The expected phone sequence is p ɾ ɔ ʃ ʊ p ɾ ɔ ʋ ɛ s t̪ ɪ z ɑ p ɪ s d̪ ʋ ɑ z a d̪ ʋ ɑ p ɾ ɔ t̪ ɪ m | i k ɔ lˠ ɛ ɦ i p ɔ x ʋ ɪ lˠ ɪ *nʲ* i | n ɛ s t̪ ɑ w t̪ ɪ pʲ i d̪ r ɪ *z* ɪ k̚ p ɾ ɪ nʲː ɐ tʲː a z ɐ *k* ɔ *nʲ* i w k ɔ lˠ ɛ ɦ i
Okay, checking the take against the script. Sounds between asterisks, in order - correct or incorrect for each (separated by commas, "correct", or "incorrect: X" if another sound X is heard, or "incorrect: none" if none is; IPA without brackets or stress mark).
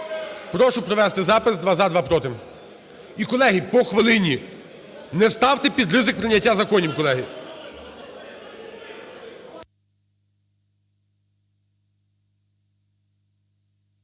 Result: correct, correct, correct, correct